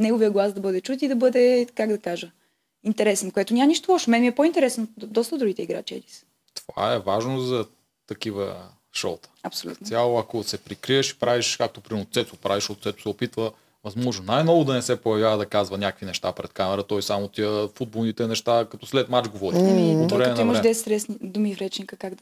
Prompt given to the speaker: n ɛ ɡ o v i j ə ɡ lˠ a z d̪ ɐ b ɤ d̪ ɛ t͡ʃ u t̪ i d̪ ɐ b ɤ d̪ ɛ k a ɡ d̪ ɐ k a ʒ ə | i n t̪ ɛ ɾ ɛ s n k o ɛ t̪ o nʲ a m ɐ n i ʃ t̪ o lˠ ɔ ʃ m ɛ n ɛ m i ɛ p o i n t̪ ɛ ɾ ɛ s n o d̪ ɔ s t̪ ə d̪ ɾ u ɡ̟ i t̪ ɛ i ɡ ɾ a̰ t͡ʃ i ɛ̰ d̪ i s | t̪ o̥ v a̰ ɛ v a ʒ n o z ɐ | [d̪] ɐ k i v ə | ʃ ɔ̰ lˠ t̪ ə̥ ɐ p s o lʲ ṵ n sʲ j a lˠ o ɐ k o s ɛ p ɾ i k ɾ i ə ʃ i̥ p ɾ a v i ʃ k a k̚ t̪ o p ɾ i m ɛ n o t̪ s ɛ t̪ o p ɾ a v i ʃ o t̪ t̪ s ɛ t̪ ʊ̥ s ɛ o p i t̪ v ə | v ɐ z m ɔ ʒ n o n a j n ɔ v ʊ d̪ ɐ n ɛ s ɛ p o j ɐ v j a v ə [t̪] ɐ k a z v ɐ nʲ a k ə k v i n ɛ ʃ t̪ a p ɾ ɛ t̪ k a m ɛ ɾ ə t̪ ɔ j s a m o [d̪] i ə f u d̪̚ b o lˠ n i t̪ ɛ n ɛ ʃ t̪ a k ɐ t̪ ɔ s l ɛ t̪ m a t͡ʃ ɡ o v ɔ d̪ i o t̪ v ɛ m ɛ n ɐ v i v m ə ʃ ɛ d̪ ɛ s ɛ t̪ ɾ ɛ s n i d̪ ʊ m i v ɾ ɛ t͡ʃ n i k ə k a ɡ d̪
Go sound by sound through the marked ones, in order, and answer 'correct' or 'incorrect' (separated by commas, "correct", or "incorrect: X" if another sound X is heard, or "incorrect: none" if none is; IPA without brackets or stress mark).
incorrect: t̪, incorrect: d̪, incorrect: t̪